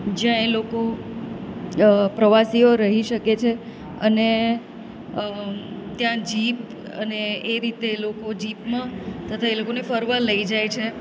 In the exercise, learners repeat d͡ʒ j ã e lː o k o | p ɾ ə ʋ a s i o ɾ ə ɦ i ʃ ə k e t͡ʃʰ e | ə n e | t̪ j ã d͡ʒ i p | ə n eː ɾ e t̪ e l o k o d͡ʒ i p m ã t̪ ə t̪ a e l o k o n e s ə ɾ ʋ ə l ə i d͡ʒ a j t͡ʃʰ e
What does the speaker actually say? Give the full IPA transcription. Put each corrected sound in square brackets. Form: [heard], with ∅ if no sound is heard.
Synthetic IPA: d͡ʒ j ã e [l] o k o | p ɾ ə ʋ a s i o ɾ ə ɦ i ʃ ə k e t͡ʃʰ e | ə n e | t̪ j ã d͡ʒ i p | ə n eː ɾ [i] t̪ e l o k o d͡ʒ i p m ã t̪ ə [t̪ʰ] a e l o k o n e [f] ə ɾ ʋ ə l ə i d͡ʒ a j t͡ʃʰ e

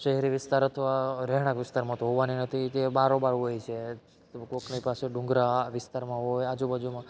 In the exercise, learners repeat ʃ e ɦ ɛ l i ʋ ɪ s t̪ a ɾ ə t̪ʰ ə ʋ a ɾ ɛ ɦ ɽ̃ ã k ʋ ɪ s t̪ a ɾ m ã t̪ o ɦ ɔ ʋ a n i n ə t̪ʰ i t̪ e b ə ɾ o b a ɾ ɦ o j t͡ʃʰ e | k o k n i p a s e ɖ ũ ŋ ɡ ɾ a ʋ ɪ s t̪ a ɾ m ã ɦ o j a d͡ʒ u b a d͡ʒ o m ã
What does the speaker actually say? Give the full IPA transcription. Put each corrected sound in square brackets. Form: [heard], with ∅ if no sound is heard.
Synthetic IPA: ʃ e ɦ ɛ [ɾ] i ʋ ɪ s t̪ a ɾ ə t̪ʰ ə ʋ a ɾ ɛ ɦ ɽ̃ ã k ʋ ɪ s t̪ a ɾ m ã t̪ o ɦ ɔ ʋ a n i n ə t̪ʰ i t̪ e b [a] ɾ o b a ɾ ɦ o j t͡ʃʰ e | k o k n i p a s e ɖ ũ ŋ ɡ ɾ a ʋ ɪ s t̪ a ɾ m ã ɦ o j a d͡ʒ u b a d͡ʒ [u] m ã

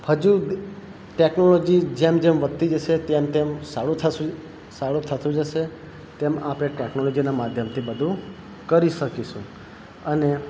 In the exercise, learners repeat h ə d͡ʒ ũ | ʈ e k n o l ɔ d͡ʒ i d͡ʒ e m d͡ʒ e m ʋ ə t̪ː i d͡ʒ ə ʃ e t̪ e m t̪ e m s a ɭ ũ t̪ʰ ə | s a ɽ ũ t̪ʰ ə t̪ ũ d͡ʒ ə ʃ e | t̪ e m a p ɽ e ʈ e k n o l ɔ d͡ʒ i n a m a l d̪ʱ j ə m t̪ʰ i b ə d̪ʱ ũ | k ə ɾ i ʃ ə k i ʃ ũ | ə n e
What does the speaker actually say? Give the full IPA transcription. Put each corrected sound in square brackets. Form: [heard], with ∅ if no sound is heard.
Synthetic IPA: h ə d͡ʒ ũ | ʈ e k n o l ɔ d͡ʒ i d͡ʒ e m d͡ʒ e m ʋ ə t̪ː i d͡ʒ ə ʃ e t̪ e m t̪ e m s a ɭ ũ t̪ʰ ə | s a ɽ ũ t̪ʰ ə t̪ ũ d͡ʒ ə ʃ e | t̪ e m a p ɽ e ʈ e k n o l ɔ d͡ʒ i n a m a [∅] d̪ʱ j ə m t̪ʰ i b ə d̪ʱ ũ | k ə ɾ i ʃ ə k i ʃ ũ | ə n e

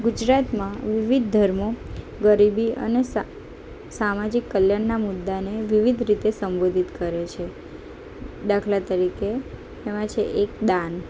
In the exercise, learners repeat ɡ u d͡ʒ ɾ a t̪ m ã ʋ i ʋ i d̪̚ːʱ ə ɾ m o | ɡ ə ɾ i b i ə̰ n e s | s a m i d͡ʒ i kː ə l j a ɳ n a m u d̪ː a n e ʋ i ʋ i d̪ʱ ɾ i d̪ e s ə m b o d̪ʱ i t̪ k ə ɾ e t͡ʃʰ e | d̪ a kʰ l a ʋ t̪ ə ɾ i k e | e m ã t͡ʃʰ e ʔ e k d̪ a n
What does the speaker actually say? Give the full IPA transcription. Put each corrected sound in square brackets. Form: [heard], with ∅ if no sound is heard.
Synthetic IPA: ɡ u d͡ʒ ɾ a t̪ m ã ʋ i ʋ i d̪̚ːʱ ə ɾ m o | ɡ ə ɾ i b i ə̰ n e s | s a m [a] d͡ʒ i kː ə l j a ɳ n a m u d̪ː a n e ʋ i ʋ i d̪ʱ ɾ i [t̪] e s ə m b o d̪ʱ i t̪ k ə ɾ e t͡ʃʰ e | d̪ a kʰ l a [∅] t̪ ə ɾ i k e | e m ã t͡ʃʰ e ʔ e k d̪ a n

